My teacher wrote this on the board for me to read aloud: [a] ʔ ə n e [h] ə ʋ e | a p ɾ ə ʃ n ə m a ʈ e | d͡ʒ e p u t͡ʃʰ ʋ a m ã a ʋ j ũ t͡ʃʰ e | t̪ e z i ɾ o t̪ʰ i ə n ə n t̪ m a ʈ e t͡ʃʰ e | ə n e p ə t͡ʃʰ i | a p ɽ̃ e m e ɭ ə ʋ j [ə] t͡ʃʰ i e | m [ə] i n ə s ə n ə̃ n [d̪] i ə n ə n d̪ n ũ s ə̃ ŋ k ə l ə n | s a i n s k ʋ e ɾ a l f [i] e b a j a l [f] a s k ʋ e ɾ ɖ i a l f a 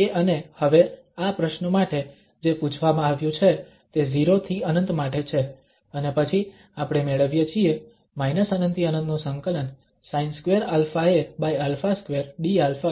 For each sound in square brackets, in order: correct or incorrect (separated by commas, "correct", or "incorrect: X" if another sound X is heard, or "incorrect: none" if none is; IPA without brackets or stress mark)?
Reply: incorrect: e, correct, correct, incorrect: a, incorrect: t̪, incorrect: a, correct